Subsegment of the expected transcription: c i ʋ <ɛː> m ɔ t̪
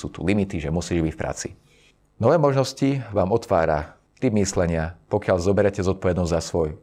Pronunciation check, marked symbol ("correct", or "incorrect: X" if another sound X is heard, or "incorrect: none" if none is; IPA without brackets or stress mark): incorrect: aː